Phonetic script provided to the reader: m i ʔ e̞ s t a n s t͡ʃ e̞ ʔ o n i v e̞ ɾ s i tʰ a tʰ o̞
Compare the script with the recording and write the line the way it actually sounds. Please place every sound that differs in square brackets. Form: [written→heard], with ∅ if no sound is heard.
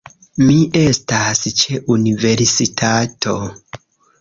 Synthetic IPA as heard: m i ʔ e̞ s t a [n→∅] s t͡ʃ e̞ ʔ [o→u] n i v e̞ ɾ s i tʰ a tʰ o̞